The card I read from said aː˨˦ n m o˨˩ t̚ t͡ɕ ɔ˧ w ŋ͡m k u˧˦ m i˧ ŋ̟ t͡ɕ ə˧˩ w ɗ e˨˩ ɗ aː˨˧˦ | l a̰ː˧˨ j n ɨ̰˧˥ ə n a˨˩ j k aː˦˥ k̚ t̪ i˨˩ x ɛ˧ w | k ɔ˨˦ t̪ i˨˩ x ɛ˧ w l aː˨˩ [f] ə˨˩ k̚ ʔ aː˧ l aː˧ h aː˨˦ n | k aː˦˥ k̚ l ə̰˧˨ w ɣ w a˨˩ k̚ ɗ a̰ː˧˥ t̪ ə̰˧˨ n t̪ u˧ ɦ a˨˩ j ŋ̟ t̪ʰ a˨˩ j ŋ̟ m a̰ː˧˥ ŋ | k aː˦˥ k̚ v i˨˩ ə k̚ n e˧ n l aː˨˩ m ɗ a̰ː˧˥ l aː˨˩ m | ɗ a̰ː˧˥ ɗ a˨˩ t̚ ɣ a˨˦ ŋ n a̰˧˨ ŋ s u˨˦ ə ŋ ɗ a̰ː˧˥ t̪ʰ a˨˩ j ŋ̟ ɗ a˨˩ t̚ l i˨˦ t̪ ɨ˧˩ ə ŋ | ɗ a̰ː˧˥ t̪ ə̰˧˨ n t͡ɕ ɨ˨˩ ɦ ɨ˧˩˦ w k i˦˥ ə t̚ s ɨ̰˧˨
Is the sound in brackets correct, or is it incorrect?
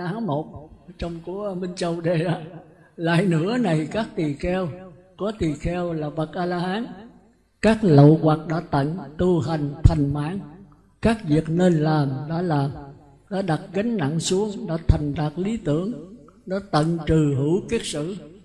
incorrect